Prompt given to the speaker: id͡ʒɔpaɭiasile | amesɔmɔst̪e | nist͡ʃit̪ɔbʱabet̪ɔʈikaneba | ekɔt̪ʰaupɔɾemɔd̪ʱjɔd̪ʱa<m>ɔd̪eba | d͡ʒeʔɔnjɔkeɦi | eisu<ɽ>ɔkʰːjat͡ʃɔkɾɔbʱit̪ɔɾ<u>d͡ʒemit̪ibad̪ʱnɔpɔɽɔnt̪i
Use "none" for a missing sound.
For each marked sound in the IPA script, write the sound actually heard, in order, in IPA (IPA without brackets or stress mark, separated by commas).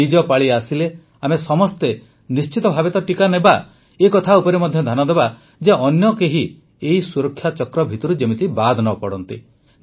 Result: n, ɾ, u